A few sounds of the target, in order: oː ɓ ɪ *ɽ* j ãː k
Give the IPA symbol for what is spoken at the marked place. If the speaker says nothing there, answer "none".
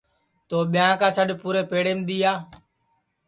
none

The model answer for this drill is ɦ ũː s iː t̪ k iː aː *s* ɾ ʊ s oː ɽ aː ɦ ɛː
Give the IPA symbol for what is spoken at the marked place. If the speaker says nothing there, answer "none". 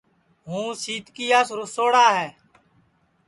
s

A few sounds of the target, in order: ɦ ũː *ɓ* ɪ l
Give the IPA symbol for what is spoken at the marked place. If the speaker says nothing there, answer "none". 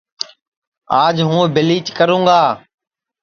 b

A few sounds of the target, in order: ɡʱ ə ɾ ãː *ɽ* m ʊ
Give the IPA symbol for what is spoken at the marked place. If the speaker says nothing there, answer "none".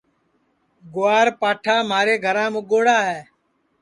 none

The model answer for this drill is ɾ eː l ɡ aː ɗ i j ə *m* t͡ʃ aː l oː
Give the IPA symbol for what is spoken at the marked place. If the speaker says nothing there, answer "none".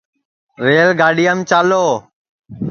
m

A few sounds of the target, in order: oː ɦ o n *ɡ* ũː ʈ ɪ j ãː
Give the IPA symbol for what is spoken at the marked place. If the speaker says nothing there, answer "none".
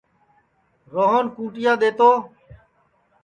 k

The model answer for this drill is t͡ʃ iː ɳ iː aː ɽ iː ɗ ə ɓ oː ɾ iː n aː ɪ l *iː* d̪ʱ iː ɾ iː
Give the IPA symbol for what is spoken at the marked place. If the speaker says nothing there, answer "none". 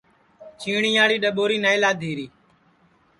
aː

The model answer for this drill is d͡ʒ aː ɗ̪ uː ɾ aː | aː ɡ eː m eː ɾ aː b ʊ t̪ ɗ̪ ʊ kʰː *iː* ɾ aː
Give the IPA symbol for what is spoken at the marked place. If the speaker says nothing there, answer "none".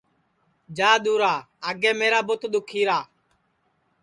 iː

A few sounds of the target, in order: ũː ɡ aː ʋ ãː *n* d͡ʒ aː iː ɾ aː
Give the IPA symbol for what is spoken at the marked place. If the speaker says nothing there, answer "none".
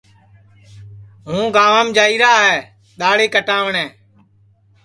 m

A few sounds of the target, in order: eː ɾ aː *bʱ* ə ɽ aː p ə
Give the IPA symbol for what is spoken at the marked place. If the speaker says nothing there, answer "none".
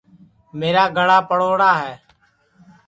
ɡʱ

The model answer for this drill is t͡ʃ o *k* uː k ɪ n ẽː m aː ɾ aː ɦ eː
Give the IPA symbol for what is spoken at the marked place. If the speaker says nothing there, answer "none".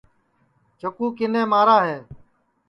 k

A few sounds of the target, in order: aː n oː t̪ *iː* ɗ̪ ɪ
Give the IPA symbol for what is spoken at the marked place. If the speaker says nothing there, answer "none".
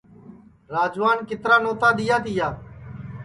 aː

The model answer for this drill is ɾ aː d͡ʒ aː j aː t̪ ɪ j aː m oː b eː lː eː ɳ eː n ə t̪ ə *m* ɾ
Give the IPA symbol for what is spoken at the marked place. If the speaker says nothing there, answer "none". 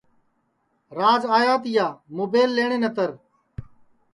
none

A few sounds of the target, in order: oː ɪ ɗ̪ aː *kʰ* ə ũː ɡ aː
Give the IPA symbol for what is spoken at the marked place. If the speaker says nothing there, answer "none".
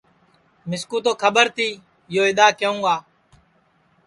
k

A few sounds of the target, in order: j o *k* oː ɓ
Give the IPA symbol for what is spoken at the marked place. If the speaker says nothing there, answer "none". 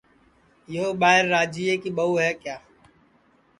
none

